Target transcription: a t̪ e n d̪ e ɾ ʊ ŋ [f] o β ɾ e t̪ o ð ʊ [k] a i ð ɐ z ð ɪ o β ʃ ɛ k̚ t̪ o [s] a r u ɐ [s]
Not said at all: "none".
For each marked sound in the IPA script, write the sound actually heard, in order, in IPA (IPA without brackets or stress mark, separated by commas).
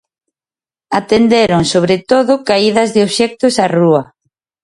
s, k, s, none